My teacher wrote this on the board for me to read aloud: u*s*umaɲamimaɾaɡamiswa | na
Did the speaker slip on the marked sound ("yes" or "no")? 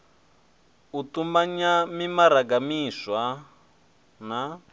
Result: yes